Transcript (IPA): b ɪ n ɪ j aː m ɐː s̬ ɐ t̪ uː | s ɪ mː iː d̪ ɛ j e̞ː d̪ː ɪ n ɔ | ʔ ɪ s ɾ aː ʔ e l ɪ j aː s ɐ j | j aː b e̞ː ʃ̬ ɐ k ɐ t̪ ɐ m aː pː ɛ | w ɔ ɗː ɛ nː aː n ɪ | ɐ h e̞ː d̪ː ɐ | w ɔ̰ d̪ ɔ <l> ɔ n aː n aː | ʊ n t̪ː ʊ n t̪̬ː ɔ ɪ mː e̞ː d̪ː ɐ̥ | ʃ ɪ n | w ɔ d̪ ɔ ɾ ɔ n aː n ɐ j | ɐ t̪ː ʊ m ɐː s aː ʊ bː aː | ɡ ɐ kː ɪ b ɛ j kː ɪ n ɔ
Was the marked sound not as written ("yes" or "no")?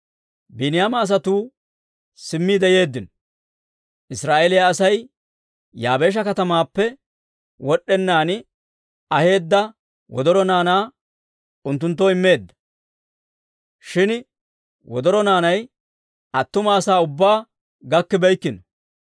yes